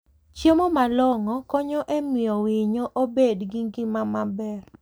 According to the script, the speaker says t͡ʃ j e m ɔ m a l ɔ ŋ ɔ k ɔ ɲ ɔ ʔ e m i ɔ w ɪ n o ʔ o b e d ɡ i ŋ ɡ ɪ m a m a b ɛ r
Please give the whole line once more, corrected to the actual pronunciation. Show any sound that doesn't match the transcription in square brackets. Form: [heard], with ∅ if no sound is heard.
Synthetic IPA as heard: t͡ʃ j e m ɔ m a l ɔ ŋ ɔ k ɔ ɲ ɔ ʔ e m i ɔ w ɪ [ɲ] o ʔ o b e d ɡ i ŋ ɡ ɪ m a m a b ɛ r